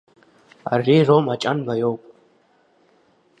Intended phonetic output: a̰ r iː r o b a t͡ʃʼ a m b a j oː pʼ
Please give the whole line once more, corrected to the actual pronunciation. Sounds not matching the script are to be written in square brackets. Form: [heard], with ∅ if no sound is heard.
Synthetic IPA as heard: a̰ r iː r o [m] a t͡ʃʼ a [n] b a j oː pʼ